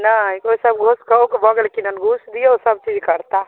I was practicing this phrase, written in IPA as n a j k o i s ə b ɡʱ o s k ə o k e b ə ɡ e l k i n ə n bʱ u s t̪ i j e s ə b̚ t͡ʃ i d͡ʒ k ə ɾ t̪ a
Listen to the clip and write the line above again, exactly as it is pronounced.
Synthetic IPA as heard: n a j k o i s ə b ɡʱ o s k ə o k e b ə ɡ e l k i n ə n ɡʱ u s d̪ i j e s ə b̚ t͡ʃ i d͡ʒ k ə ɾ t̪ a